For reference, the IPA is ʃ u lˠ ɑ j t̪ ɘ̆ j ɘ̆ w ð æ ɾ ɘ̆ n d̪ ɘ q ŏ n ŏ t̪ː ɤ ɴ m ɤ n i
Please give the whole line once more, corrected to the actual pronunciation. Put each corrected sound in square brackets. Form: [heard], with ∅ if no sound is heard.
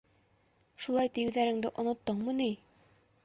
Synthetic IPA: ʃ u lˠ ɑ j t̪ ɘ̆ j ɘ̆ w ð æ ɾ ɘ̆ [ŋ] d̪ ɘ [ʔ] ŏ n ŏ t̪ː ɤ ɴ m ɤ n i